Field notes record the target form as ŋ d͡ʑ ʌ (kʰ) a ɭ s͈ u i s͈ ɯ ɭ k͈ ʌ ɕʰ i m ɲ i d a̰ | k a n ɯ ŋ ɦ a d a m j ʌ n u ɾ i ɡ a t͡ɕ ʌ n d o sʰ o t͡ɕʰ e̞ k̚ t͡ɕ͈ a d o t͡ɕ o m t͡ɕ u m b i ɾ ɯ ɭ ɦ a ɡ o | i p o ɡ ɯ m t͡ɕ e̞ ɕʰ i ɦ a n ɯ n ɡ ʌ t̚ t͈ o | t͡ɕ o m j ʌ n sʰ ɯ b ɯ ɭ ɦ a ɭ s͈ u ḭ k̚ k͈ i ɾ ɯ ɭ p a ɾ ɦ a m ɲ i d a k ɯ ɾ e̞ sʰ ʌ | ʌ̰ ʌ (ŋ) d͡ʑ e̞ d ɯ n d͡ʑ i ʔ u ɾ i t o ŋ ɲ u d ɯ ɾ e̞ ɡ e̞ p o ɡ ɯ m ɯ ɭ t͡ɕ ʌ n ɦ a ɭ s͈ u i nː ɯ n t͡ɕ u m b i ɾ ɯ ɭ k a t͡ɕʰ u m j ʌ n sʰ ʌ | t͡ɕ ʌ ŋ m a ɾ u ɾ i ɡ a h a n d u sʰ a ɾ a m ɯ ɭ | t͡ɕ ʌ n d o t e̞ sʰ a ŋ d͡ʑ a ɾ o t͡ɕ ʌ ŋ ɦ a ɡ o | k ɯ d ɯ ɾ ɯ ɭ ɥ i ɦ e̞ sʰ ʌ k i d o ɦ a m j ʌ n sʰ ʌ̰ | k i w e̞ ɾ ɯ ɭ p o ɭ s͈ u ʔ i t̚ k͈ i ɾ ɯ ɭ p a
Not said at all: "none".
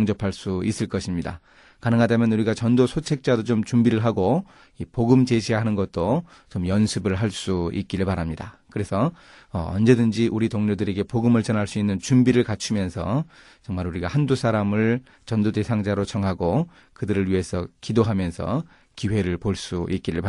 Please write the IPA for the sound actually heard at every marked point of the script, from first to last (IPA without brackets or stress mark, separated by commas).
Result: pʰ, n